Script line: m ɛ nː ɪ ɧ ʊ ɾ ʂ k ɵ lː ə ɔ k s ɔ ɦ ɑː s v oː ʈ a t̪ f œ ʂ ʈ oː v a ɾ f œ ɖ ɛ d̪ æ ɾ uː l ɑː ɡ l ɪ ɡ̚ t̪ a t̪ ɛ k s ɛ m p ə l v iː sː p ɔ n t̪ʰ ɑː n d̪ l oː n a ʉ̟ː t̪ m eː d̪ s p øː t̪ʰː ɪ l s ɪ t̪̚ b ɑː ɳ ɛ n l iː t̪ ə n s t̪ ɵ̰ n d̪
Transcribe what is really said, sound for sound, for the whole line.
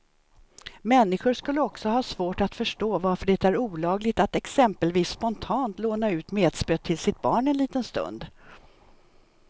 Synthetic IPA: m ɛ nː ɪ ɧ ʊ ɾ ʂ k ɵ lː ə ɔ k s ɔ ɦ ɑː s v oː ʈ a t̪ f œ ʂ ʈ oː v a ɾ f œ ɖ ɛ t̪ æ ɾ uː l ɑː ɡ l ɪ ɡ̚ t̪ a t̪ ɛ k s ɛ m p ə l v iː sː p ɔ n t̪ʰ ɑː n t̪ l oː n a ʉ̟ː t̪ m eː d̪ s p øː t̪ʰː ɪ l s ɪ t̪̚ b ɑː ɳ ɛ n l iː t̪ ə n s t̪ ɵ̰ n d̪